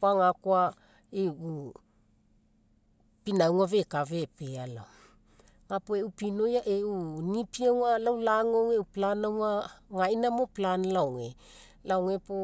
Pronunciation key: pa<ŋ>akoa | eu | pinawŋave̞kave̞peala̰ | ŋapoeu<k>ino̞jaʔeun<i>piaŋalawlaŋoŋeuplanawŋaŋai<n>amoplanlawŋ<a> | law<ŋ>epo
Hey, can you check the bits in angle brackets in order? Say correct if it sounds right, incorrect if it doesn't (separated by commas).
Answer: correct, incorrect, correct, correct, incorrect, correct